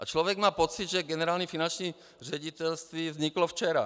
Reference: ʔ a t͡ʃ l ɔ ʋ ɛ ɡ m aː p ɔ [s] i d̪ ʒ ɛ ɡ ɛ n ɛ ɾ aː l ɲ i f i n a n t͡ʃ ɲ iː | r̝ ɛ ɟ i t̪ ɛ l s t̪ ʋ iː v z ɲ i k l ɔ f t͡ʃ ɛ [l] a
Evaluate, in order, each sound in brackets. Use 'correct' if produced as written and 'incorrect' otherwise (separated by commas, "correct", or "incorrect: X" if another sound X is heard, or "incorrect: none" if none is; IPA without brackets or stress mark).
incorrect: t͡s, incorrect: ɾ